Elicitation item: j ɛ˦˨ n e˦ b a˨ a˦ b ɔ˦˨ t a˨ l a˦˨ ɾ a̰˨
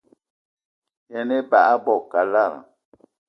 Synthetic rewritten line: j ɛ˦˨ n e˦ b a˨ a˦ b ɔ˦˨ k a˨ l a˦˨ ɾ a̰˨